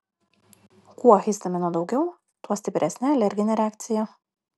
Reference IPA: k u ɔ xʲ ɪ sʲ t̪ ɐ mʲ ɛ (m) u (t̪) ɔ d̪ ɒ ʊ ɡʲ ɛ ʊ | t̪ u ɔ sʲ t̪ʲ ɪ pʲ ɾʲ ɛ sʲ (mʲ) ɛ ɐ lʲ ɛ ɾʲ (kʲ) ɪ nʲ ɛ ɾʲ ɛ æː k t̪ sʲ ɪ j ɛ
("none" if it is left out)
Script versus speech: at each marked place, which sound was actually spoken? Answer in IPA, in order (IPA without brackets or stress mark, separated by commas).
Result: n, none, nʲ, ɡʲ